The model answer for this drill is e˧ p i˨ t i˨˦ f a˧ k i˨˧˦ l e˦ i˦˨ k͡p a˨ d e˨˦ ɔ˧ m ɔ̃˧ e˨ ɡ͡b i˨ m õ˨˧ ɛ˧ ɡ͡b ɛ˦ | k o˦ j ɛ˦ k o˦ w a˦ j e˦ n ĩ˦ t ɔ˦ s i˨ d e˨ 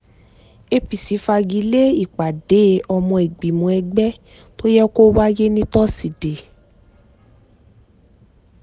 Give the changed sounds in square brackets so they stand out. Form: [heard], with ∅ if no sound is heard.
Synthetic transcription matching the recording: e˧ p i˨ [s] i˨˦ f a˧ [ɡ] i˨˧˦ l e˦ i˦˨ k͡p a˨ d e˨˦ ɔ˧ m ɔ̃˧ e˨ ɡ͡b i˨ m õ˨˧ ɛ˧ ɡ͡b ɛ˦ | [t] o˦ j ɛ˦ k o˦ w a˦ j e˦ n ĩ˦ t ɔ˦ s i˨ d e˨